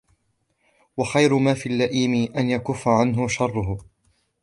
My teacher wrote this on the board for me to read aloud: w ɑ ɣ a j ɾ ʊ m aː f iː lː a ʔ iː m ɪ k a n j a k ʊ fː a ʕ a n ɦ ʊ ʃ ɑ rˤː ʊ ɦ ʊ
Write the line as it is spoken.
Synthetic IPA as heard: w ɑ x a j ɾ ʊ m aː f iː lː a ʔ iː m ɪ ʔ a n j a k ʊ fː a ʕ a n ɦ ʊ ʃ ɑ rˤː ʊ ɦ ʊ

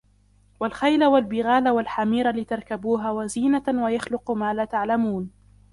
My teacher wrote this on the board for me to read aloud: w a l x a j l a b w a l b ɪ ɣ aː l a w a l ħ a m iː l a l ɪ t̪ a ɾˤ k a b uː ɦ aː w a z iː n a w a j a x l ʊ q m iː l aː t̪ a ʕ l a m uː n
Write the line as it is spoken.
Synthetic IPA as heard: w a l x a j l a w a l b ɪ ɣ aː l a w a l ħ a m iː ɾ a l ɪ t̪ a ɾˤ k a b uː ɦ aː w a z iː n a w a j a x l ʊ q m aː l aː t̪ a ʕ l a m uː n

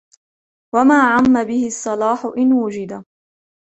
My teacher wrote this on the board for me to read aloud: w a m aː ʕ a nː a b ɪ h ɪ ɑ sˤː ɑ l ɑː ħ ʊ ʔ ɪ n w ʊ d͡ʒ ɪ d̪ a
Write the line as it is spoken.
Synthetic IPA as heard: w a m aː ʕ a mː a b ɪ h ɪ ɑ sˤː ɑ l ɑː ħ ʊ ʔ ɪ n w ʊ d͡ʒ ɪ d̪ a

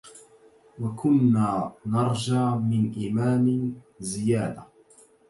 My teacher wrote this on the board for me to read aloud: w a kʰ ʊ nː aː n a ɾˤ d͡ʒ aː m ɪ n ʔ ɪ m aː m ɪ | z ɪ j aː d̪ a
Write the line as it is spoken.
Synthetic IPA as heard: w a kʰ ʊ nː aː n ɑ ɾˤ d͡ʒ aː m ɪ n ʔ ɪ m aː m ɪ | z ɪ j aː d̪ a

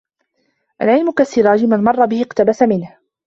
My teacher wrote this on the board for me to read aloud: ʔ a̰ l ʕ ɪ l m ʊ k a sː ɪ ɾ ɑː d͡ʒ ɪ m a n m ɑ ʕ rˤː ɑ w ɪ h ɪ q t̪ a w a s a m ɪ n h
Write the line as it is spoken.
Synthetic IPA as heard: ʔ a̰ l ʕ ɪ l m ʊ k a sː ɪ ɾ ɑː d͡ʒ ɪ m a n m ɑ rˤː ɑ b ɪ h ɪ q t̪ a b a s a m ɪ n h

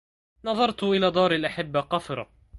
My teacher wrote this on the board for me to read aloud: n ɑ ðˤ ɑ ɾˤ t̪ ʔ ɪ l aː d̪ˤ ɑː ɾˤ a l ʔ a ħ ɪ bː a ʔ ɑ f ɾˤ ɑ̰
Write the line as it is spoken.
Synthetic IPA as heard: n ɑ ðˤ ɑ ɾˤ t̪ ʔ ɪ l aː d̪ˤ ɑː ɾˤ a l ʔ a ħ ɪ bː a q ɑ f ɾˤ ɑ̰

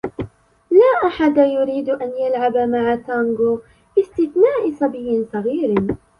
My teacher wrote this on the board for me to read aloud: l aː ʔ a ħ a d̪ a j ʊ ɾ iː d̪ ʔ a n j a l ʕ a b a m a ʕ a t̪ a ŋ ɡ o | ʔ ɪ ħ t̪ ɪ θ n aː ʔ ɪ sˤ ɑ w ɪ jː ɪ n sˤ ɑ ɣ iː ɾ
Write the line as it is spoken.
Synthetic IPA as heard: l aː ʔ a ħ a d̪ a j ʊ ɾ iː d̪ ʔ a n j a l ʕ a b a m a ʕ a t̪ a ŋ ɡ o | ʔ ɪ s t̪ ɪ θ n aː ʔ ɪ sˤ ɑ b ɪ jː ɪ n sˤ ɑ ɣ iː ɾ

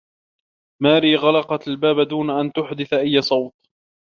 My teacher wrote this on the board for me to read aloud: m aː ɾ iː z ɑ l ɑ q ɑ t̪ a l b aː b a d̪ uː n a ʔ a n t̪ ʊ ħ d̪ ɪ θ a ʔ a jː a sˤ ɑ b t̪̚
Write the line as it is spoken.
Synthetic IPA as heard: m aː ɾ iː ɣ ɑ l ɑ q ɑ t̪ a l b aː b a d̪ uː n a ʔ a n t̪ ʊ ħ d̪ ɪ θ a ʔ a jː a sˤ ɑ w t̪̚

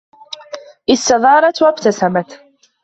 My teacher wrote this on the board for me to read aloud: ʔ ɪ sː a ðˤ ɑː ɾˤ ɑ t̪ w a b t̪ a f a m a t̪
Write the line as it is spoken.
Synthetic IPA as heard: ʔ ɪ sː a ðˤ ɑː ɾˤ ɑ t̪ w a b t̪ a s a m a t̪

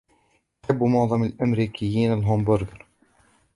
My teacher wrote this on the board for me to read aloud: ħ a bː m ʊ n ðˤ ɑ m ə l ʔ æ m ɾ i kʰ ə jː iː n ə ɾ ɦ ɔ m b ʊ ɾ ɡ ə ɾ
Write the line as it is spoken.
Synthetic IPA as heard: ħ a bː m ʊ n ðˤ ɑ m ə l ʔ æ m ɾ i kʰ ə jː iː n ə l ɦ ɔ m b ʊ ɾ ɡ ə ɾ

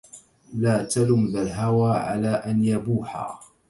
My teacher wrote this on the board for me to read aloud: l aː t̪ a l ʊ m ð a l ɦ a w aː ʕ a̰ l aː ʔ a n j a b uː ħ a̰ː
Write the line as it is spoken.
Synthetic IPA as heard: l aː t̪ a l ʊ m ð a l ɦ a w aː ʕ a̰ l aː ʔ a n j a b uː ħ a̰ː

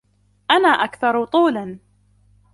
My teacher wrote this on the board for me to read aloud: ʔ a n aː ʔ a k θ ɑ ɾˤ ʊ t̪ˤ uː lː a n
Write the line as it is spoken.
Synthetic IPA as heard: ʔ a n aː ʔ a k θ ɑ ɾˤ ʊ t̪ˤ uː l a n

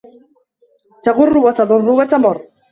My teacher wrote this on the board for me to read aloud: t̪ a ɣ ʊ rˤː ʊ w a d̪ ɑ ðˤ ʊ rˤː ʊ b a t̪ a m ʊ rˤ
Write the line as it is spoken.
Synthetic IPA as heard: t̪ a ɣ ʊ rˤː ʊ w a t̪ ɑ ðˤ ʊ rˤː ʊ w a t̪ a m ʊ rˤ

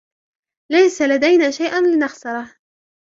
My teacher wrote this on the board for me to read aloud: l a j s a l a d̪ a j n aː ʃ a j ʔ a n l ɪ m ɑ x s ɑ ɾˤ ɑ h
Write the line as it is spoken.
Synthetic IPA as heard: l a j s a l a d̪ a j n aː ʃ a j ʔ a n l ɪ n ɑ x s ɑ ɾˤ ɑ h

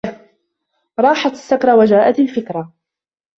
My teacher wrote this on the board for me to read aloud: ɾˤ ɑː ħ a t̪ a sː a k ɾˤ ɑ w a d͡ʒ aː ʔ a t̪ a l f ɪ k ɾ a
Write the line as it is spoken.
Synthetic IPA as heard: ɾˤ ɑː ħ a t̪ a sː a k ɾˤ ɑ w a d͡ʒ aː ʔ a t̪ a l f ɪ k ɾ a

